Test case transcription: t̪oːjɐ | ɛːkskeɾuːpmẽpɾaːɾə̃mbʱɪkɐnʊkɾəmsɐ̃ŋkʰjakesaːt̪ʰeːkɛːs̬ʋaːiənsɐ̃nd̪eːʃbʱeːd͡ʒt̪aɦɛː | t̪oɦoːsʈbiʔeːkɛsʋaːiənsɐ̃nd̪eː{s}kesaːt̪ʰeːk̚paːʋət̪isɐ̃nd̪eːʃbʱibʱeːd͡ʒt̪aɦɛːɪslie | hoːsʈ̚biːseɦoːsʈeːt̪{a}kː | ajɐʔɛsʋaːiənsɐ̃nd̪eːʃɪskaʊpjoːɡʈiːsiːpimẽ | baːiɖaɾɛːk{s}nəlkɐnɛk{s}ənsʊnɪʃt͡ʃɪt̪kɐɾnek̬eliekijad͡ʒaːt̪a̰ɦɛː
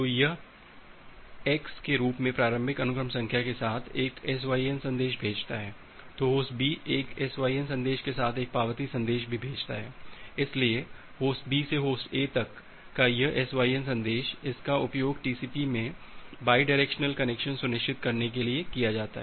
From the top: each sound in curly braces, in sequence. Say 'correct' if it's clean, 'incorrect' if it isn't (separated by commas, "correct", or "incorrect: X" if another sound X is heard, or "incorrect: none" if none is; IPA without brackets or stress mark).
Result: incorrect: ʃ, incorrect: ɐ, incorrect: ʃ, incorrect: ʃ